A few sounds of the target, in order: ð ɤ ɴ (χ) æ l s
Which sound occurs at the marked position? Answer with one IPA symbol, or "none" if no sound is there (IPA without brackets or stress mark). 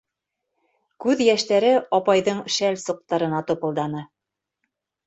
ʃ